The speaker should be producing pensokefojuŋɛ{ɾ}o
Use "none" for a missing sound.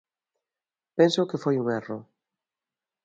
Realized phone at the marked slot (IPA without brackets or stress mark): r